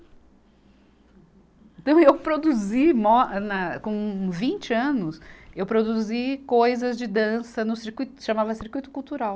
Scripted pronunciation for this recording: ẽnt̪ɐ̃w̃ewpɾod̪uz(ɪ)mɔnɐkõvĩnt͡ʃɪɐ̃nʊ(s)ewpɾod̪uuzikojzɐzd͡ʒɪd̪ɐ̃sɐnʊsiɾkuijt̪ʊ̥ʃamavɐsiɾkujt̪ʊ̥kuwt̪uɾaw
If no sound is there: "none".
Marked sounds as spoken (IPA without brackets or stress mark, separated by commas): i, s